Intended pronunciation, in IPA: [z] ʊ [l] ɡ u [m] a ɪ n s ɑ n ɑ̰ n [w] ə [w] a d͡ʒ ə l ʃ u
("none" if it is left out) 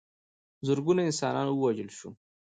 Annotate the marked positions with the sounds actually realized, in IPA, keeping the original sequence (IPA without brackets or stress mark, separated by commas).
z, ɾ, n, w, w